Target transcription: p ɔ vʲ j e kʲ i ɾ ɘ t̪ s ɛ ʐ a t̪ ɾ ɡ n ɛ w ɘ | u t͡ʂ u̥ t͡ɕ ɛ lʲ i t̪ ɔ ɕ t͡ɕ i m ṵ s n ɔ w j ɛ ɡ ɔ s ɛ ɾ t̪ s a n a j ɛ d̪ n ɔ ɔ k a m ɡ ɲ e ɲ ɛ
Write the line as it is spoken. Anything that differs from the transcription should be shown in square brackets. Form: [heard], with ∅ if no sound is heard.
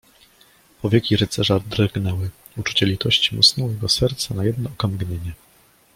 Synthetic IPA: p ɔ vʲ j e kʲ i ɾ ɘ t̪ s ɛ ʐ a [d̪] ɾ ɡ n ɛ w ɘ | u t͡ʂ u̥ t͡ɕ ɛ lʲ i t̪ ɔ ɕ t͡ɕ i m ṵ s n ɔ w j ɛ ɡ ɔ s ɛ ɾ t̪ s a n a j ɛ d̪ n ɔ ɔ k a m ɡ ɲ e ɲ ɛ